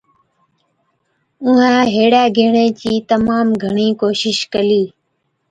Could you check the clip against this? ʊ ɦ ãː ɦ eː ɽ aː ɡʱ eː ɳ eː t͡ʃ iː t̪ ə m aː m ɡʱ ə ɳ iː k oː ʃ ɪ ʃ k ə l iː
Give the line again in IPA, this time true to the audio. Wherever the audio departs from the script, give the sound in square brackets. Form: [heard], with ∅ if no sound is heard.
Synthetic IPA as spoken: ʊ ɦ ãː ɦ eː ɽ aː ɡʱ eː ɳ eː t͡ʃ iː t̪ ə m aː m ɡʱ ə ɳ iː k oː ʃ ɪ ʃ k ə l iː